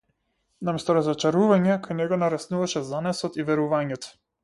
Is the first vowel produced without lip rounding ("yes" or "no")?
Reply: yes